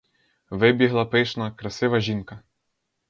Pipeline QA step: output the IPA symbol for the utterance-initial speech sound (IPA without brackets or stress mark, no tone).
ʋ